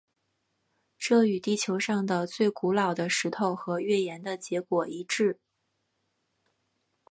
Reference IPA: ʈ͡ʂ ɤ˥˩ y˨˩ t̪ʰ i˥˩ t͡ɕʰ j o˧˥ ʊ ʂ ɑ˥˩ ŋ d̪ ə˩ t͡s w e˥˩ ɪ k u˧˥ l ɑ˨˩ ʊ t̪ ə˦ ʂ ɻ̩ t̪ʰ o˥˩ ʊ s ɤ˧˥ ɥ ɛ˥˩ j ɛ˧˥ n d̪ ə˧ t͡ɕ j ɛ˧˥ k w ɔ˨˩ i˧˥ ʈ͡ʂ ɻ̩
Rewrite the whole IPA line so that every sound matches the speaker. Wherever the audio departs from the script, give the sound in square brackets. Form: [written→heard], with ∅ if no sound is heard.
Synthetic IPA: ʈ͡ʂ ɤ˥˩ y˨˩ [t̪ʰ→t̪] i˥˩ t͡ɕʰ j o˧˥ ʊ ʂ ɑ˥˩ ŋ d̪ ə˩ t͡s w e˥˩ ɪ k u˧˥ l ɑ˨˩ ʊ [t̪→d̪] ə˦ ʂ ɻ̩ t̪ʰ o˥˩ ʊ [s→x] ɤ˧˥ ɥ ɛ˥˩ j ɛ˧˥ n d̪ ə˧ t͡ɕ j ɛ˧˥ k w ɔ˨˩ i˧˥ ʈ͡ʂ ɻ̩